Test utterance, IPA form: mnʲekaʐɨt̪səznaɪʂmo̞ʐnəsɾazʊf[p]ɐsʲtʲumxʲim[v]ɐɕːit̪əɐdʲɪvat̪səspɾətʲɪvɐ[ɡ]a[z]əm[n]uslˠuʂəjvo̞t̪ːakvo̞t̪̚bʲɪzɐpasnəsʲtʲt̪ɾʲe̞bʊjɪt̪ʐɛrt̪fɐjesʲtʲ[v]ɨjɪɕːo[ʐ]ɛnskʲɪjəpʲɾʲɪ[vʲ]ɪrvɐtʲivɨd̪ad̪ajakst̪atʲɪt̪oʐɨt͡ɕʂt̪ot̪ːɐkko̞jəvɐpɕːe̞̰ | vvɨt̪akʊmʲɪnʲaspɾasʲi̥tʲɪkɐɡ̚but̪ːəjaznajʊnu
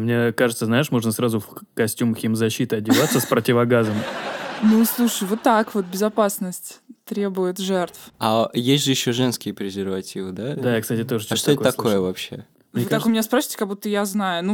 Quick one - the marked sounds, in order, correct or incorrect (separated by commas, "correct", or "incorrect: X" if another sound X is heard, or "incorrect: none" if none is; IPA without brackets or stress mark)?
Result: incorrect: k, incorrect: z, correct, correct, correct, incorrect: ʐ, correct, incorrect: zʲ